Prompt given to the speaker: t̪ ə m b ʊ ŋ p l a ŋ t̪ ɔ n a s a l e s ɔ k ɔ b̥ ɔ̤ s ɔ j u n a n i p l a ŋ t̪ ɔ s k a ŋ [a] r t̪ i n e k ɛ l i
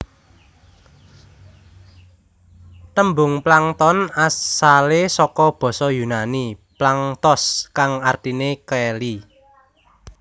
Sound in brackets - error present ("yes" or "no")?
no